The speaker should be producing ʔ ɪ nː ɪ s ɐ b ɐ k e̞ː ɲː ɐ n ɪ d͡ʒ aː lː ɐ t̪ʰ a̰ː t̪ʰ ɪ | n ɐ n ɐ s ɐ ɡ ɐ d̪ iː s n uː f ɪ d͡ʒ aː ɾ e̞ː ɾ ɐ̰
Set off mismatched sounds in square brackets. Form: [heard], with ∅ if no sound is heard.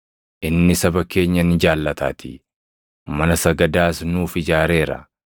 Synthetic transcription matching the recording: ʔ ɪ nː ɪ s ɐ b ɐ k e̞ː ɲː ɐ n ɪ d͡ʒ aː lː ɐ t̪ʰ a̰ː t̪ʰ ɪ | [m] ɐ n ɐ s ɐ ɡ ɐ d̪ [aː] s n uː f ɪ d͡ʒ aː ɾ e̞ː ɾ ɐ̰